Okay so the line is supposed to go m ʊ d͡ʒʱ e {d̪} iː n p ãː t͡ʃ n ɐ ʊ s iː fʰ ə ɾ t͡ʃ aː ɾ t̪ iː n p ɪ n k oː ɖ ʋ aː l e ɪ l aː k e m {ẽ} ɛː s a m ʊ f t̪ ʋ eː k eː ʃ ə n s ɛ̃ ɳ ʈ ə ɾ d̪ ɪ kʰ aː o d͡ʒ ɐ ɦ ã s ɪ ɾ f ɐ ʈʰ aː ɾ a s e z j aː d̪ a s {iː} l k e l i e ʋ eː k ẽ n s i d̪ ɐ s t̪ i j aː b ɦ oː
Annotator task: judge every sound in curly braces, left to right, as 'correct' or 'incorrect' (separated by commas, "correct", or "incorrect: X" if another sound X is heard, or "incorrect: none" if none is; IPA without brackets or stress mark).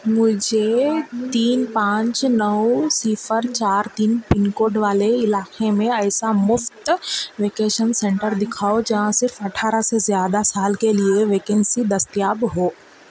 incorrect: t̪, correct, incorrect: aː